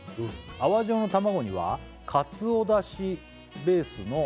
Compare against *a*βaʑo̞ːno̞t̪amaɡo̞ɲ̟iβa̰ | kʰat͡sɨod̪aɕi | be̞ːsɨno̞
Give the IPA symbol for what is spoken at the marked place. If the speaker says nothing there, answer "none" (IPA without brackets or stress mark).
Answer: a